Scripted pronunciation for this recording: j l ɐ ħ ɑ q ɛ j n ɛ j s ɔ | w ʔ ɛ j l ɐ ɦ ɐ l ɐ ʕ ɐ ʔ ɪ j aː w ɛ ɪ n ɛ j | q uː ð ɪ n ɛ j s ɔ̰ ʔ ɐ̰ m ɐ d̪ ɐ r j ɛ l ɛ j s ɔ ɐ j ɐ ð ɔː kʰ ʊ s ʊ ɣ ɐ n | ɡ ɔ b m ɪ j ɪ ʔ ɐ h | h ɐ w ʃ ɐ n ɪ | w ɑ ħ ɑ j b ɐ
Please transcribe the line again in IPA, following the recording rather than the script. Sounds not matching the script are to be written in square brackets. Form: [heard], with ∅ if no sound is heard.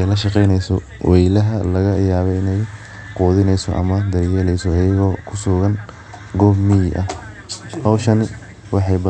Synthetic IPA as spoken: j l ɐ [ʃ] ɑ q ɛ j n ɛ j s ɔ | w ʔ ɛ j l ɐ ɦ ɐ l ɐ [ɣ] ɐ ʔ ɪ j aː [β] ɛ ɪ n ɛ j | q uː ð ɪ n ɛ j s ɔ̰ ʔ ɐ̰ m ɐ d̪ ɐ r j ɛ l ɛ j s ɔ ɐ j ɐ [ɣ] ɔː kʰ ʊ s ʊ ɣ ɐ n | ɡ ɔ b m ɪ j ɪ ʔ ɐ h | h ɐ w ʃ ɐ n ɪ | w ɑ ħ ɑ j b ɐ